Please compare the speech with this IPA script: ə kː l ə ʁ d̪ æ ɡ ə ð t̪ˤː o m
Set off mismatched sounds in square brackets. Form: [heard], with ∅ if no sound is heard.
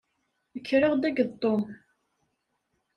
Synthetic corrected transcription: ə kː [ɾ] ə ʁ d̪ æ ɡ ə ð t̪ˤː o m

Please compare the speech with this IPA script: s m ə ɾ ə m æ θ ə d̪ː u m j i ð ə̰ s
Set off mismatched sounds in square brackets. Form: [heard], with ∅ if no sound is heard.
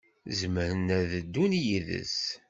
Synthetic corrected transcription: [z] m ə ɾ ə [n] æ [ð] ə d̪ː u [n] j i ð ə̰ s

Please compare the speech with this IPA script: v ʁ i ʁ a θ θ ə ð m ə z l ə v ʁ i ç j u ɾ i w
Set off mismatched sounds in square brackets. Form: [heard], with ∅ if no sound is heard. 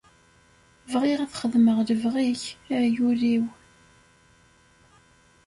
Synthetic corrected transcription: v ʁ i ʁ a θ [χ] ə ð m ə [ʁ] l ə v ʁ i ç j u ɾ i w

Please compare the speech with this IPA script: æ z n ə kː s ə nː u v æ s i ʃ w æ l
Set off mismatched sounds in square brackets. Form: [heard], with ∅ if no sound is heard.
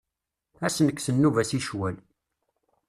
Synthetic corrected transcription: æ [s] n ə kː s ə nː u v æ s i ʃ w æ l

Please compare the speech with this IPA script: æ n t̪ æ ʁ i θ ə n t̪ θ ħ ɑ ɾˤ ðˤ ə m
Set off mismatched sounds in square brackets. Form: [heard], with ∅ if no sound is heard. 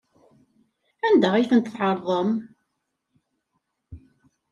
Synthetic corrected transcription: æ n [d̪] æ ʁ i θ ə n t̪ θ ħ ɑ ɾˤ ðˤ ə m

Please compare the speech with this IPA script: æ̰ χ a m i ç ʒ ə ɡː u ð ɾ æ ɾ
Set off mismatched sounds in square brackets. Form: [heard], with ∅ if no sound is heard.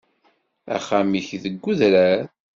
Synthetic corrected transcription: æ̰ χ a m i ç [ð] ə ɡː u ð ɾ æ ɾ

